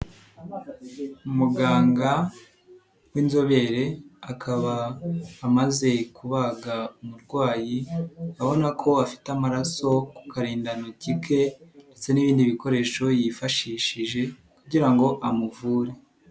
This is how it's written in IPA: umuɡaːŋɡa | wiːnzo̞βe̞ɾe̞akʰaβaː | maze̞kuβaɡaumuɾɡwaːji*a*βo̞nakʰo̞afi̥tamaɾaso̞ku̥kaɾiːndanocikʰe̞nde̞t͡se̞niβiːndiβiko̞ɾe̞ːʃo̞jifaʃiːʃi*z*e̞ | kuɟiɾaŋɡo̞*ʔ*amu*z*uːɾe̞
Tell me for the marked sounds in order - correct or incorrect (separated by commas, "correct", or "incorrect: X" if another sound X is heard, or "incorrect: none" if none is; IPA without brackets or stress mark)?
correct, incorrect: ʒ, correct, incorrect: v